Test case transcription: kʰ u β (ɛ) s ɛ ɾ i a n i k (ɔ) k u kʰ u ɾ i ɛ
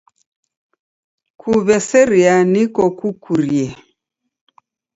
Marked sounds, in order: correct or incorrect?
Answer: correct, correct

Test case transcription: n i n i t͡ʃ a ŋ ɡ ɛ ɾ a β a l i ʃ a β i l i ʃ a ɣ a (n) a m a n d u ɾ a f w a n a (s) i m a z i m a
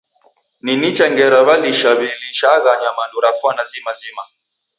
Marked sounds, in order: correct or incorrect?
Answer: incorrect: ɲ, incorrect: z

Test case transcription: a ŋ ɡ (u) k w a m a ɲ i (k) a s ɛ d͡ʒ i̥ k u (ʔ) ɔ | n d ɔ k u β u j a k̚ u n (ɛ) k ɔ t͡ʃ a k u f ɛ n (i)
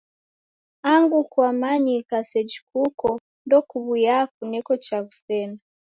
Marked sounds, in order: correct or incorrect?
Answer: correct, correct, incorrect: k, correct, incorrect: a

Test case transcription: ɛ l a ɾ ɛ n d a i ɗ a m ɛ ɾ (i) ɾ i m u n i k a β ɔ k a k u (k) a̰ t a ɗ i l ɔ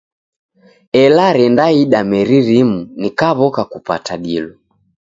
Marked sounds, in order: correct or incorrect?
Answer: correct, incorrect: p

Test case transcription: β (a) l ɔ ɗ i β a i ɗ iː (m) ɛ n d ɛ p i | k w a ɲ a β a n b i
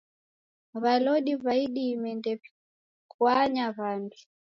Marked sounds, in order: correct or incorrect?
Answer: correct, correct

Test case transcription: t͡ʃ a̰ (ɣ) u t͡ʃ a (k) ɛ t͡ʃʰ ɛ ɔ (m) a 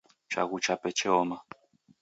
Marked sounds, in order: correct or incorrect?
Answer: correct, incorrect: p, correct

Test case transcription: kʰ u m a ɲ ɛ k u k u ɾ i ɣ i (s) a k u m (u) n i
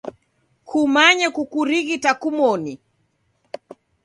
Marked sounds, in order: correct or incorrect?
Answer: incorrect: t, incorrect: ɔ

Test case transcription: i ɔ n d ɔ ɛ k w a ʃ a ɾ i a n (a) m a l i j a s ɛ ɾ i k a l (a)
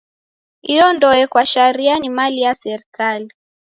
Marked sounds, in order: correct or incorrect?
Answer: incorrect: i, incorrect: i

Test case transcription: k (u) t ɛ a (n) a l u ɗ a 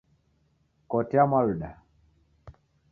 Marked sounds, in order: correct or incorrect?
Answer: incorrect: ɔ, incorrect: m

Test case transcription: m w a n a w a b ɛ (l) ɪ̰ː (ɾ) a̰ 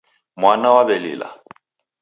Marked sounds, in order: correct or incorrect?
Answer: correct, incorrect: l

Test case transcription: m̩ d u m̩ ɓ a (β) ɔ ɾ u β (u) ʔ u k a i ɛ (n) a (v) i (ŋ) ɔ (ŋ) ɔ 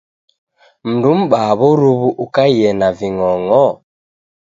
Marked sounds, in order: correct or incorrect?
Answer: correct, correct, correct, correct, correct, correct

